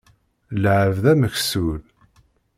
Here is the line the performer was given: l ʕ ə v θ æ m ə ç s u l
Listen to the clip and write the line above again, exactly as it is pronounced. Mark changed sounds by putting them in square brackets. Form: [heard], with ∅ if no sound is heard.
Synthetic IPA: l ʕ ə v [ð] æ m ə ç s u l

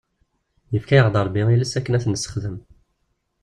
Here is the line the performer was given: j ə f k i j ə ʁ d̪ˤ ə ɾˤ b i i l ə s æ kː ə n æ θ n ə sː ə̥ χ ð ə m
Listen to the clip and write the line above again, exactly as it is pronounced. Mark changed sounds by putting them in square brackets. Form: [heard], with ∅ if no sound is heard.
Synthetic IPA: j ə f k [æ] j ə ʁ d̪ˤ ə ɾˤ b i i l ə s æ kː ə n æ θ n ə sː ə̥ χ ð ə m

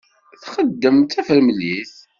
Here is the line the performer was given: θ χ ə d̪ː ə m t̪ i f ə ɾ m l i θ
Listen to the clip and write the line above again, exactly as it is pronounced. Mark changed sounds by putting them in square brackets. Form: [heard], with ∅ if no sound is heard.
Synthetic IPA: θ χ ə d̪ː ə m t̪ [æ] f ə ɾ m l i θ

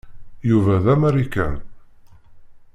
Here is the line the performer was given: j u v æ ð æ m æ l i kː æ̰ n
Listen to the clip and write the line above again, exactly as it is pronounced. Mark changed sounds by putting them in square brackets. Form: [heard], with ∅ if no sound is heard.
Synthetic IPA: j u v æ ð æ m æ [ɾ] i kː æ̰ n

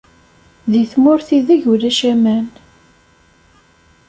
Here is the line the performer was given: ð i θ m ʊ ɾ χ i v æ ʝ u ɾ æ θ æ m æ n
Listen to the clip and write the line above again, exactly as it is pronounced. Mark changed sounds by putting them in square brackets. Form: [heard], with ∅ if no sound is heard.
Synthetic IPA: ð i θ m ʊ ɾ [θ] i [ð] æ ʝ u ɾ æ [ʃ] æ m æ n

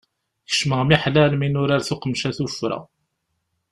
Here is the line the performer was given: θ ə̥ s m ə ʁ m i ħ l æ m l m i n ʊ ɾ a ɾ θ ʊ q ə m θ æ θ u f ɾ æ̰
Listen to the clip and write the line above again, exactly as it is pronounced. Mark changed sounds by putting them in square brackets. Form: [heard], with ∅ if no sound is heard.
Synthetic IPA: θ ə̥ [ʃ] m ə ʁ m i ħ l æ [∅] l m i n ʊ ɾ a ɾ θ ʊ q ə m [ʃ] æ θ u f ɾ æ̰

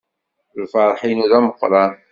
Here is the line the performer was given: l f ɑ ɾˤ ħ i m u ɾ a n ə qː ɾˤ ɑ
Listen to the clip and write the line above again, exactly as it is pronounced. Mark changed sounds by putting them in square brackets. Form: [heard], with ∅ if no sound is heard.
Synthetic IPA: l f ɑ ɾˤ ħ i [n] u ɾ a [m] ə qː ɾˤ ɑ

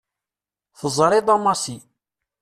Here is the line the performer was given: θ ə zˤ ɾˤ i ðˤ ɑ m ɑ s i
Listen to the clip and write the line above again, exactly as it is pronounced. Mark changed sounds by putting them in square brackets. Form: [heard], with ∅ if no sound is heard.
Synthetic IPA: θ ə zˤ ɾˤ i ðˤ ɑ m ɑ s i

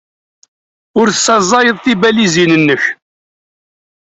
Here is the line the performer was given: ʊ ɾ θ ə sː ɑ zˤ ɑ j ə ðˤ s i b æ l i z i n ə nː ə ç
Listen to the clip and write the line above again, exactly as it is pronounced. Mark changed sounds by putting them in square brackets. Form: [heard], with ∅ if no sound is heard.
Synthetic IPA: ʊ ɾ θ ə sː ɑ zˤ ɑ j ə ðˤ [θ] i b æ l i z i n ə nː ə ç

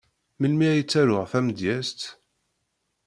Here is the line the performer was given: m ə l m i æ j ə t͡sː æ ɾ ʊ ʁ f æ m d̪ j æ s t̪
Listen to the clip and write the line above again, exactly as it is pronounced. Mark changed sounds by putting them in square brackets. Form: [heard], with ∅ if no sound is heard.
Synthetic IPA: m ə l m i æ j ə t͡sː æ ɾ ʊ ʁ f æ m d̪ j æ s t̪

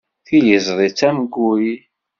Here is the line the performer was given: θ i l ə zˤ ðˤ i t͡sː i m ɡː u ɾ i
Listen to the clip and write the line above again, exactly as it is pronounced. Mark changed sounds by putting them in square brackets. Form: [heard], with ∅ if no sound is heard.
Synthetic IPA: θ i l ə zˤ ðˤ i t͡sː [æ] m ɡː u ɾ i

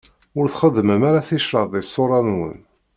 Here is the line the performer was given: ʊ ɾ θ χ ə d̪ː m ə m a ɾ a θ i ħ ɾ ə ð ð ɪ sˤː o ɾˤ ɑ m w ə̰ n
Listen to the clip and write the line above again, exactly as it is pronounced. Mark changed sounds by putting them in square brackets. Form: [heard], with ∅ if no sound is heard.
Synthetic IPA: ʊ ɾ θ χ ə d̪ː m ə m a ɾ a θ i [ʃ] ɾ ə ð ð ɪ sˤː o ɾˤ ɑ [n] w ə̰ n

